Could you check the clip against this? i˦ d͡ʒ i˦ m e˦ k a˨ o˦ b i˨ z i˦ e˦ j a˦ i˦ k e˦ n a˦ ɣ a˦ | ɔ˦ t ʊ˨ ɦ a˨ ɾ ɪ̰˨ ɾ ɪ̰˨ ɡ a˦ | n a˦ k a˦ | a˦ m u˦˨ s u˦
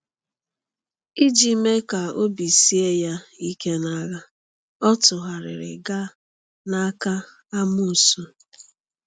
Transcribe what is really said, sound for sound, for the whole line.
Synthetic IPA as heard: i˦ d͡ʒ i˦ m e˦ k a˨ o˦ b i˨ s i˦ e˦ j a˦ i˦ k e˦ n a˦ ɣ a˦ | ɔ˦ t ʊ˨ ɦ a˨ ɾ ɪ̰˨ ɾ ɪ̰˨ ɡ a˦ | n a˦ k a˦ | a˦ m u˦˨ s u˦